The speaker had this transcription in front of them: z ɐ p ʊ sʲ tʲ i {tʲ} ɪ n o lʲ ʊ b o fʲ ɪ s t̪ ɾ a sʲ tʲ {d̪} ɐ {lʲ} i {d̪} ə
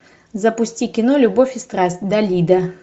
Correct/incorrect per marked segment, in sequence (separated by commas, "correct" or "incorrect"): incorrect, correct, correct, correct